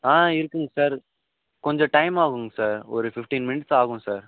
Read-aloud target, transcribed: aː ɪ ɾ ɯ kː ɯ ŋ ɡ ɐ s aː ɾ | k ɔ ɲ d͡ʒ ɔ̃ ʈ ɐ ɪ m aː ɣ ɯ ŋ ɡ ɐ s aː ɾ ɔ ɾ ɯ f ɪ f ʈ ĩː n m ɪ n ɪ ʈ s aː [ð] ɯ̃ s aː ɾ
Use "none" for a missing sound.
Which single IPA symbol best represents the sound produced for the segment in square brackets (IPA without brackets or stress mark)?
ɣ